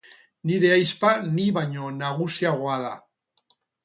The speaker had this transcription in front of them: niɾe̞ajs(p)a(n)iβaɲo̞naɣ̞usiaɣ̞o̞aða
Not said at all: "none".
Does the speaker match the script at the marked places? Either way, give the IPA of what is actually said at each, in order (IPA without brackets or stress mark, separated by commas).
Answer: p, n